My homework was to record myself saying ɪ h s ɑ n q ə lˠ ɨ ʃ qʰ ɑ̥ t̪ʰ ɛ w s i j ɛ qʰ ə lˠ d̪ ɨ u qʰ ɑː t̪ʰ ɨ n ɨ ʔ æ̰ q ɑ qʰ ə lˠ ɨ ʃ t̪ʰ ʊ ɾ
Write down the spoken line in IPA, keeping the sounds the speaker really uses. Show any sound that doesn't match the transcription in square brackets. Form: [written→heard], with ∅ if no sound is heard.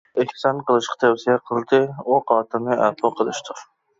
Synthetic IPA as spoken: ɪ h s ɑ n q ə lˠ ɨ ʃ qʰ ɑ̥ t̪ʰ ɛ w s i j ɛ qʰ ə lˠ d̪ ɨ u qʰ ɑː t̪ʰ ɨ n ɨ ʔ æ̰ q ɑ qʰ ə lˠ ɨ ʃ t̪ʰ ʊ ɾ

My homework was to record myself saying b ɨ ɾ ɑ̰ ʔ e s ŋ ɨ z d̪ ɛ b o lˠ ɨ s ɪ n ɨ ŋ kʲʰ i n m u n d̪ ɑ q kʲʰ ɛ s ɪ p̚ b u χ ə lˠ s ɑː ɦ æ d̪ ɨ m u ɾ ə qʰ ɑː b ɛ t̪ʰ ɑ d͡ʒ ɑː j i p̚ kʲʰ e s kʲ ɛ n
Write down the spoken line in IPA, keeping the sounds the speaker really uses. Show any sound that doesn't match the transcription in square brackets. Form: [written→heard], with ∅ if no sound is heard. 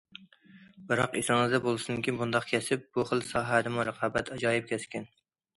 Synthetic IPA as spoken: b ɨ ɾ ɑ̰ [ʔ→q] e s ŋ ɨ z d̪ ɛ b o lˠ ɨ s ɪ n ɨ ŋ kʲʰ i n [m→b] u n d̪ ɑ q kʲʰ ɛ s ɪ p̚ b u χ ə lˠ s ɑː ɦ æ d̪ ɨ m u ɾ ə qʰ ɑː b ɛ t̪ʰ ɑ d͡ʒ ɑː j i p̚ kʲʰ [e→ɛ] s kʲ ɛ n

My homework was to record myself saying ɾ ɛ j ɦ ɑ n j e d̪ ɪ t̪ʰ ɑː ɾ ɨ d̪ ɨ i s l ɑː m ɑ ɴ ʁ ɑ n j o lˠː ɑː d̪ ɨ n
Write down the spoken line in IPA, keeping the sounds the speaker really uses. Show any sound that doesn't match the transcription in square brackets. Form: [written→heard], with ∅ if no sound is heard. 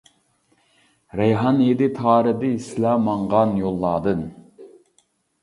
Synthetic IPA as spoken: ɾ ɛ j ɦ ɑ n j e d̪ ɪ t̪ʰ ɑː ɾ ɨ d̪ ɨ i s l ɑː m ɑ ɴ ʁ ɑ n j o lˠː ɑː d̪ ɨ n

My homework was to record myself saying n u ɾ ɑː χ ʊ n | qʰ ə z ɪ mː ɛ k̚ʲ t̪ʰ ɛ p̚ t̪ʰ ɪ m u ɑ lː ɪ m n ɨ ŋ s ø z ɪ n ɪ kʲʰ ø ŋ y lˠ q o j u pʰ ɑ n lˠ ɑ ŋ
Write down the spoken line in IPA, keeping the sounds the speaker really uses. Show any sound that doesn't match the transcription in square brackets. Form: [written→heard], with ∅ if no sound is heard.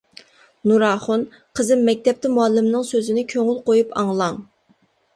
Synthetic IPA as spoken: n u ɾ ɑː χ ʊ n | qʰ ə z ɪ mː ɛ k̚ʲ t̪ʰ ɛ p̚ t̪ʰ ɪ m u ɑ lː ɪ m n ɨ ŋ s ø z ɪ n ɪ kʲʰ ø ŋ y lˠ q o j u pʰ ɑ [n→ŋ] lˠ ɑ ŋ

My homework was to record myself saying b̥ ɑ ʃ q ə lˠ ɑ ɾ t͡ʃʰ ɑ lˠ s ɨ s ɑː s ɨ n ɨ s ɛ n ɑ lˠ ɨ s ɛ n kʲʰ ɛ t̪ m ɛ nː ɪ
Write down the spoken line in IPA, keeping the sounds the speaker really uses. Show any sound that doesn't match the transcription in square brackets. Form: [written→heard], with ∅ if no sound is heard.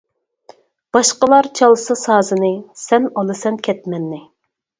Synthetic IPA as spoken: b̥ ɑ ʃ q ə lˠ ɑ ɾ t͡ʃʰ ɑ lˠ s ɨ s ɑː [s→z] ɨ n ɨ s ɛ n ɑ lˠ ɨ s ɛ n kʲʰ ɛ t̪ m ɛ nː ɪ

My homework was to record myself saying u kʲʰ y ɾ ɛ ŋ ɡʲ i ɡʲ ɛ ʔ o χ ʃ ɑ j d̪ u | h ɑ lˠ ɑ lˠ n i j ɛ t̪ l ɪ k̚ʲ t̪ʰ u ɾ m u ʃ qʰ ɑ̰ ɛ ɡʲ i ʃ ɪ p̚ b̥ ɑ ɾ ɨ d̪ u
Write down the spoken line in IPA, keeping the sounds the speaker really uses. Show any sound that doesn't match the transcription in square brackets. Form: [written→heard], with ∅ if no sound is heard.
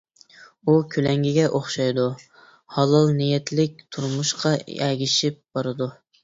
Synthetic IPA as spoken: u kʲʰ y [ɾ→l] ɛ ŋ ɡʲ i ɡʲ ɛ ʔ o χ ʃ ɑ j d̪ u | h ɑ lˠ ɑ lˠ n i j ɛ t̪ l ɪ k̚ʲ t̪ʰ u ɾ m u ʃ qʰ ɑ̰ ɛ ɡʲ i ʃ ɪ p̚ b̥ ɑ ɾ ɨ d̪ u

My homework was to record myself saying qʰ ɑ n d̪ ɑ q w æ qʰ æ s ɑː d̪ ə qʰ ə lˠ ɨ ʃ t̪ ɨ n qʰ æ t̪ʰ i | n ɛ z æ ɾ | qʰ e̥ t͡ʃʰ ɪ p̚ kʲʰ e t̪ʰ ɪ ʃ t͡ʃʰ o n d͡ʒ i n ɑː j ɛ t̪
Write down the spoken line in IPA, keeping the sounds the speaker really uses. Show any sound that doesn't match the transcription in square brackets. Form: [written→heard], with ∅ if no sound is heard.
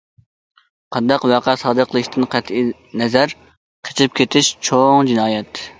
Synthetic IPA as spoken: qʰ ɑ n d̪ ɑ q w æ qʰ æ s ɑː d̪ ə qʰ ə lˠ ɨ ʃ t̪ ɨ n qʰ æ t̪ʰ i | n ɛ z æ ɾ | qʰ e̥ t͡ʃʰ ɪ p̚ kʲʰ e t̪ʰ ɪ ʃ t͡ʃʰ o [n→ŋ] d͡ʒ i n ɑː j ɛ t̪

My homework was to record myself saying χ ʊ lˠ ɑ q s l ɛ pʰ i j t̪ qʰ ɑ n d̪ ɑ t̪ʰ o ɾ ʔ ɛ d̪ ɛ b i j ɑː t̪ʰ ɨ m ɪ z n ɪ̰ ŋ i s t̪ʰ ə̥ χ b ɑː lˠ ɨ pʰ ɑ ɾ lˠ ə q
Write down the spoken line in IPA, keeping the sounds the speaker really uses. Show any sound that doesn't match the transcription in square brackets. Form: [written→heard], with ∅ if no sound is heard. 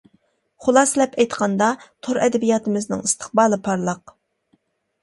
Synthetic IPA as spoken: χ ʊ lˠ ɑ [q→∅] s l ɛ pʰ [i→ɛ] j t̪ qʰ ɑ n d̪ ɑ t̪ʰ o ɾ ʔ ɛ d̪ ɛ b i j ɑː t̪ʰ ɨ m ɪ z n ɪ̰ ŋ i s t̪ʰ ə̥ χ b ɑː lˠ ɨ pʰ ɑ ɾ lˠ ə q

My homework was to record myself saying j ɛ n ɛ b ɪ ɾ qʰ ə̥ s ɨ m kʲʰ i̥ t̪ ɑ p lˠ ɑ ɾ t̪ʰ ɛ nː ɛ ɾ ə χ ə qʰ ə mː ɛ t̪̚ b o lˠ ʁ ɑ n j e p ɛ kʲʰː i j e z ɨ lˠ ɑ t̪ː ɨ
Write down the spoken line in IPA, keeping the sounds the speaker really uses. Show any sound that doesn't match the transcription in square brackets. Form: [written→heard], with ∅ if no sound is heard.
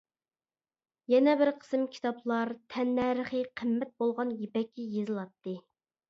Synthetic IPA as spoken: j ɛ n ɛ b ɪ ɾ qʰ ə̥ s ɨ m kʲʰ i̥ t̪ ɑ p lˠ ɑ ɾ t̪ʰ ɛ nː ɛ ɾ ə χ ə qʰ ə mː ɛ t̪̚ b o lˠ ʁ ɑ n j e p ɛ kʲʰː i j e z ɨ lˠ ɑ t̪ː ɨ

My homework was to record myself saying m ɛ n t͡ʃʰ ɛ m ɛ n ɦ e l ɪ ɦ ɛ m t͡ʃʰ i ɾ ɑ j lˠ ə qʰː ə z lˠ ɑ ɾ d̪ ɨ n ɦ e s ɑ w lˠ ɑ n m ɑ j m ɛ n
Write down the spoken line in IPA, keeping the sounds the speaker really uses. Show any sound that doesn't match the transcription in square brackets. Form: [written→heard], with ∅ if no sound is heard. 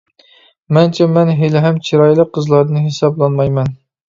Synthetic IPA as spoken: m ɛ n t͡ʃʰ ɛ m ɛ n ɦ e l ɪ ɦ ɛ m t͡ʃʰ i ɾ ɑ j lˠ ə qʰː ə z lˠ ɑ ɾ d̪ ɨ n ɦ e s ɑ [w→b] lˠ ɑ n m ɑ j m ɛ n

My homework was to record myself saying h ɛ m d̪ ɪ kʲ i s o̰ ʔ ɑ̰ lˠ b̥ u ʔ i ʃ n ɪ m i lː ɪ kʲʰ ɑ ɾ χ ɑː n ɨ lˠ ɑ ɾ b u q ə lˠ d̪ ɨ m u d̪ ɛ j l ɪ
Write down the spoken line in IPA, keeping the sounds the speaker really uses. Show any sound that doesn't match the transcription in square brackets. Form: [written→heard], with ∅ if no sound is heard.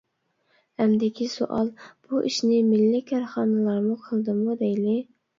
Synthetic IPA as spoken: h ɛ m d̪ ɪ kʲ i s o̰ ʔ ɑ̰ lˠ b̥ u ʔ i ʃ n ɪ m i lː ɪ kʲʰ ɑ ɾ χ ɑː n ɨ lˠ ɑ ɾ [b→m] u [q→qʰ] ə lˠ d̪ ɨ m u d̪ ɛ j l ɪ

